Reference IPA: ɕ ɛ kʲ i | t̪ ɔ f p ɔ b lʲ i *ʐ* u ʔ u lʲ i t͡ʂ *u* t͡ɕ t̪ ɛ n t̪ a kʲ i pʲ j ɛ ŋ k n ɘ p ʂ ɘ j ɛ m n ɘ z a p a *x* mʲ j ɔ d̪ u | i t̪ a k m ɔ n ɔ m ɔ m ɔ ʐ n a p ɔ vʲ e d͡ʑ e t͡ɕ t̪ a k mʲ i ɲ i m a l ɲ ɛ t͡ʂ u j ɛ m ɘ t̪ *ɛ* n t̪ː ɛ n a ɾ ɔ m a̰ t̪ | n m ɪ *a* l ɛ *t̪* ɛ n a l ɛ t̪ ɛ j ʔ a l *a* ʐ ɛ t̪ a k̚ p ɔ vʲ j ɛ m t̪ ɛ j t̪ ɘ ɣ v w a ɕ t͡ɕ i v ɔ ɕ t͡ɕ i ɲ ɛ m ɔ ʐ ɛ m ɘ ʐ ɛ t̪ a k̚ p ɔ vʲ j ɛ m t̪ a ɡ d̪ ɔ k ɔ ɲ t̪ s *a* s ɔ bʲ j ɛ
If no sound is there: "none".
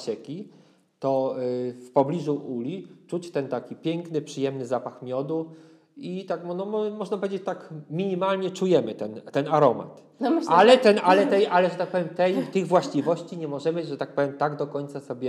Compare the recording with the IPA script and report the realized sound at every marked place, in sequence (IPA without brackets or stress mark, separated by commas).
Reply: ʐ, u, x, ɛ, a, t̪, ɛ, a